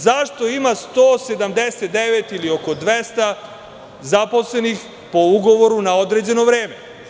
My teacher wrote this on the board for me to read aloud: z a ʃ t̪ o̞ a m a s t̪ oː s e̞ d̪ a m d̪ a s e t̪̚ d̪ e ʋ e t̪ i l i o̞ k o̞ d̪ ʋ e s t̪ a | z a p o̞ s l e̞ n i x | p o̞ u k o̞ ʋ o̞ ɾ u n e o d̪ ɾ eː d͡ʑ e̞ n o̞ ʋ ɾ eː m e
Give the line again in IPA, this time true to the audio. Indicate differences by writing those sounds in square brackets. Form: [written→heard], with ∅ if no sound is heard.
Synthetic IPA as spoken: z a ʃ t̪ o̞ [a→i] m a s t̪ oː s e̞ d̪ a m d̪ [a→e] s e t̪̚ d̪ e ʋ e t̪ i l i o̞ k o̞ d̪ ʋ e s t̪ a | z a p o̞ s l e̞ n i x | p o̞ u [k→ɡ] o̞ ʋ o̞ ɾ u n [e→a] o d̪ ɾ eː d͡ʑ e̞ n o̞ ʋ ɾ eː m e

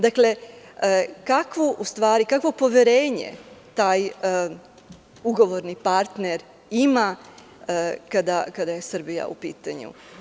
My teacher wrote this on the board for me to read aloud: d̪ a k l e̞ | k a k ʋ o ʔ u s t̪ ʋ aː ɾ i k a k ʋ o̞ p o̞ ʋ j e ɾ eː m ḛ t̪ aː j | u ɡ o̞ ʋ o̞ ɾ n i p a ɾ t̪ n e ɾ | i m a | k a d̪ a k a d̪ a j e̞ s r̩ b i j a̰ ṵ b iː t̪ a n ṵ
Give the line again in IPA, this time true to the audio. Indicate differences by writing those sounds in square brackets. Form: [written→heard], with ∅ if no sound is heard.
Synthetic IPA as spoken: d̪ a k l e̞ | k a k ʋ o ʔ u s t̪ ʋ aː ɾ i k a k ʋ o̞ p o̞ ʋ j e ɾ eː [m→ɲ] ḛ t̪ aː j | u ɡ o̞ ʋ o̞ ɾ n i p a ɾ t̪ n e ɾ | i m a | k a d̪ a k a d̪ a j e̞ s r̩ b i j a̰ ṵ [b→p] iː t̪ a [n→ɲ] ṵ

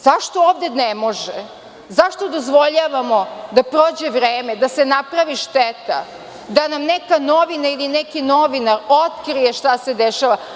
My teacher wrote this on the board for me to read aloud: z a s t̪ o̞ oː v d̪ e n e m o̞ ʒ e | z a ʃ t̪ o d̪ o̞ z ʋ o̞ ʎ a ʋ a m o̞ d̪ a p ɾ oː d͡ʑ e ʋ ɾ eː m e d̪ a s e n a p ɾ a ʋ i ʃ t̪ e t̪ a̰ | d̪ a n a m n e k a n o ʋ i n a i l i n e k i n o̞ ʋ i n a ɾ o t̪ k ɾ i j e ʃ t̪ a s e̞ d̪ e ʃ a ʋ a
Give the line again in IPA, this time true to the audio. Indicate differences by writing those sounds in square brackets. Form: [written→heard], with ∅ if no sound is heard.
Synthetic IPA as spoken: z a [s→ʃ] t̪ o̞ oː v d̪ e n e m o̞ ʒ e | z a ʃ t̪ o d̪ o̞ z ʋ o̞ ʎ a ʋ a m o̞ d̪ a p ɾ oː d͡ʑ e ʋ ɾ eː m e d̪ a s e n a p ɾ a ʋ i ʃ t̪ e t̪ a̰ | d̪ a n a m n e k a n o ʋ i n a i l i n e k i n o̞ ʋ i n a ɾ o t̪ k ɾ i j e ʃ t̪ a s e̞ d̪ e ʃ a ʋ a

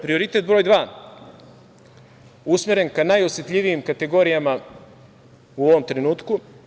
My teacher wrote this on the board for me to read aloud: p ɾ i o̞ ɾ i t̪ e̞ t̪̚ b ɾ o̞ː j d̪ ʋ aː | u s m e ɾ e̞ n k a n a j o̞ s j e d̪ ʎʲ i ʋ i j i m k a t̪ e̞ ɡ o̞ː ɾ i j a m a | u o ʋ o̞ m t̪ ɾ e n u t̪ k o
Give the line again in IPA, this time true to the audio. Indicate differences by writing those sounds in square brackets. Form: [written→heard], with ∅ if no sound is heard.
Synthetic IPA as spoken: p ɾ i o̞ ɾ i t̪ e̞ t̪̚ b ɾ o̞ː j d̪ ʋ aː | u s m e ɾ e̞ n k a n a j o̞ s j e [d̪→t̪] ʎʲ i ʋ i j i m k a t̪ e̞ ɡ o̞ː ɾ i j a m a | u o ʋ o̞ m t̪ ɾ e n [u→uː] t̪ k [o→u]

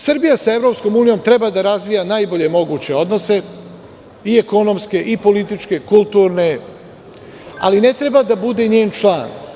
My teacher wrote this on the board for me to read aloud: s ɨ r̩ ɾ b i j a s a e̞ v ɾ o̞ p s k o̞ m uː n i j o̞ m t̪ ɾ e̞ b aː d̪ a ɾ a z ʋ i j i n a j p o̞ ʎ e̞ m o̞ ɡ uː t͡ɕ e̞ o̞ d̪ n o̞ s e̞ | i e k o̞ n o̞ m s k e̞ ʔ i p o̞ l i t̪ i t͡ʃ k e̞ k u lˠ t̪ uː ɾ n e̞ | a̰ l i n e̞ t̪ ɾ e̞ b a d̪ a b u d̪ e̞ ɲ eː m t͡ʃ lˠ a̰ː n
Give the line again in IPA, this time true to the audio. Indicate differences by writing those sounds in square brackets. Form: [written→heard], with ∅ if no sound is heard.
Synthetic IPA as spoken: s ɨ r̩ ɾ b i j a s a e̞ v ɾ o̞ p s k o̞ m uː n i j o̞ m t̪ ɾ e̞ b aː d̪ a ɾ a z ʋ i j [i→a] n a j [p→b] o̞ ʎ e̞ m o̞ ɡ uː t͡ɕ e̞ o̞ d̪ n o̞ s e̞ | i e k o̞ n o̞ m s k e̞ ʔ i p o̞ l i t̪ i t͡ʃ k e̞ k u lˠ t̪ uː ɾ n e̞ | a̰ l i n e̞ t̪ ɾ e̞ b a d̪ a b u d̪ e̞ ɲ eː [m→n] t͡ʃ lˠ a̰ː n

